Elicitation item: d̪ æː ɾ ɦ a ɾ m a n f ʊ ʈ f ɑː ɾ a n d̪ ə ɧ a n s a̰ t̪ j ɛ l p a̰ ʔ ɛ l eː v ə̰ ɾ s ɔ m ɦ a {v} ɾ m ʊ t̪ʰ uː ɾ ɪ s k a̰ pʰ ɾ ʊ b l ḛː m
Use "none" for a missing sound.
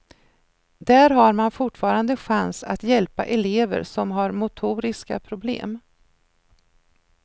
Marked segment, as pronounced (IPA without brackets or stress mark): none